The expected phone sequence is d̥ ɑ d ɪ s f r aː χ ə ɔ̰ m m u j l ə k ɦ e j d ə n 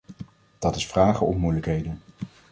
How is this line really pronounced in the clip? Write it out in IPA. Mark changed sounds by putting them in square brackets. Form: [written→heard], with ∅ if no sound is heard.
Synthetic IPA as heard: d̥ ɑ [d→t] ɪ s f r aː χ ə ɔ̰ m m u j l ə k ɦ e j d ə n